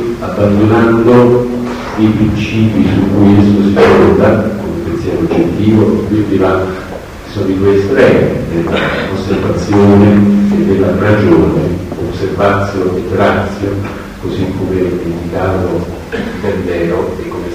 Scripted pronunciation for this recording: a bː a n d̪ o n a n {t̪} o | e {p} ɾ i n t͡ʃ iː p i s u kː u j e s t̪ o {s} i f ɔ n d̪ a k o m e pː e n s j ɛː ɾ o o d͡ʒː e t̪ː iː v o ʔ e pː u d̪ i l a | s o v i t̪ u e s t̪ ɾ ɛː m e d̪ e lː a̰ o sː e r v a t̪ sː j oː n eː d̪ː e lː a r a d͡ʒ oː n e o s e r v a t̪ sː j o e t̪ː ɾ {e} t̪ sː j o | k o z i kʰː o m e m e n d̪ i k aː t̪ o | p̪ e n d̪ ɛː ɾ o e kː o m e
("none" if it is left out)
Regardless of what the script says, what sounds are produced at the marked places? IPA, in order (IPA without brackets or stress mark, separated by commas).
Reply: d̪, p, s, a